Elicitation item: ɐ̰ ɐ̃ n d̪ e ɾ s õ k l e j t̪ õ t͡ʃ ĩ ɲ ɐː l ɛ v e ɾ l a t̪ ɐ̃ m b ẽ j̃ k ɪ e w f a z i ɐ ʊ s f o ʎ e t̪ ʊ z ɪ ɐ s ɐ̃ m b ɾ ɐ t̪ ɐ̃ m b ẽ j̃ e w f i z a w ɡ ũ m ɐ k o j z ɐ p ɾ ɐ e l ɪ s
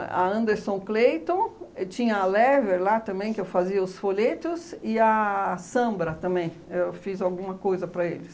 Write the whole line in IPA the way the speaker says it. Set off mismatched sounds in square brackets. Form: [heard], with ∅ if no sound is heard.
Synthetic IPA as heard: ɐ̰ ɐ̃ n d̪ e ɾ s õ k l e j t̪ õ t͡ʃ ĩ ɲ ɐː l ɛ v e ɾ l a t̪ ɐ̃ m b ẽ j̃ k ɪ e w f a z i ɐ ʊ s f o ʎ e t̪ ʊ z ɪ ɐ s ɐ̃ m b ɾ ɐ t̪ ɐ̃ m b ẽ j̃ e w f i z a w ɡ ũ m ɐ k o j z ɐ p ɾ ɐ e l ɪ s